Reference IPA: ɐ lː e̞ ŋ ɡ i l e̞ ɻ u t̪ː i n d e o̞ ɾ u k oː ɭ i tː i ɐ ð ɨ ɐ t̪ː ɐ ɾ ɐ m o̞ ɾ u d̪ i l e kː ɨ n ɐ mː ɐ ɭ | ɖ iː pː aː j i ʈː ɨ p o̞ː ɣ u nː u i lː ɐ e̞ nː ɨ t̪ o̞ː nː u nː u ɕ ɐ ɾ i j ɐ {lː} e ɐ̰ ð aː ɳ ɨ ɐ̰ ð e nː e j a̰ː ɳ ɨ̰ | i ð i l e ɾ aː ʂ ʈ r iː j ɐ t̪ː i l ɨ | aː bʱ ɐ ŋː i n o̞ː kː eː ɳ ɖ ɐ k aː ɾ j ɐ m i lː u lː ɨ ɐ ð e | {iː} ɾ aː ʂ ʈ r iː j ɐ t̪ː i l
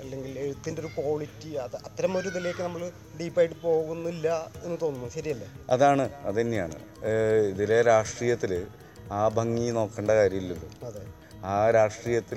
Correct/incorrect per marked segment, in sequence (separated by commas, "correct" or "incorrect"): correct, incorrect